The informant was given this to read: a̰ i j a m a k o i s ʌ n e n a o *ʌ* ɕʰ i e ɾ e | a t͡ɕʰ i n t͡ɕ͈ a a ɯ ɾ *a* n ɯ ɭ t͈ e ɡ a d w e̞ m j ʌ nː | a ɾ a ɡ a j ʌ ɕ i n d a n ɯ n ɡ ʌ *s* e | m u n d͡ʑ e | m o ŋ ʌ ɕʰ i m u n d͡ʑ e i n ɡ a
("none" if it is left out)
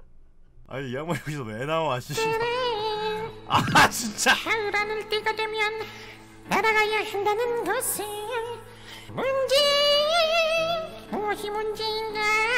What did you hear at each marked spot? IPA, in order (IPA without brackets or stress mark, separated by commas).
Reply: a, a, s